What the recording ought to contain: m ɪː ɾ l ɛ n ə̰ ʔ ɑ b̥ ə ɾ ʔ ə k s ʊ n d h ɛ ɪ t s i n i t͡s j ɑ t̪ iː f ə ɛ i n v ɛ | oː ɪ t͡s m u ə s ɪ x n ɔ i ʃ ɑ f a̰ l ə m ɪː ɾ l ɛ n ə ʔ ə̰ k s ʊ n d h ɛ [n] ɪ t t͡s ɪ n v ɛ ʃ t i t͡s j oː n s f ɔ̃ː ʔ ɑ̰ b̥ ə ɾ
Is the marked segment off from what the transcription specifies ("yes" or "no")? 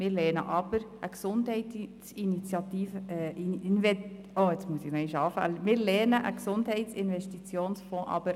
yes